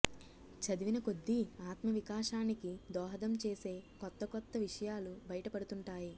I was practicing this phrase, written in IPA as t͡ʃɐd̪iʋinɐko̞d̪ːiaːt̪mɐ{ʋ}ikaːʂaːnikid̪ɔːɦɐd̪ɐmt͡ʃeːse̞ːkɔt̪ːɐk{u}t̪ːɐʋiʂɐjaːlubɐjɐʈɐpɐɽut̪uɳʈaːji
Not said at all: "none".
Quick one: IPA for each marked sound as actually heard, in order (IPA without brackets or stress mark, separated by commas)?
ʋ, ɔ